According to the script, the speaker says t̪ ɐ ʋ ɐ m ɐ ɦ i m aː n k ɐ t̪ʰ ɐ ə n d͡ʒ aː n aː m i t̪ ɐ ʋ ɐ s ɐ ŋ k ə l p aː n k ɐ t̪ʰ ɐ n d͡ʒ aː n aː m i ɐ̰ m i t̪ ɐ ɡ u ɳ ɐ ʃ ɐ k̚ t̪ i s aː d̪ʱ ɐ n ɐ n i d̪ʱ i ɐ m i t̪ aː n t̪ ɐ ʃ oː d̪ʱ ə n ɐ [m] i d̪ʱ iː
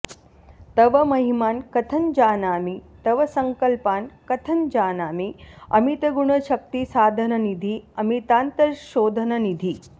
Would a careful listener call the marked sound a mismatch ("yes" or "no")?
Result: yes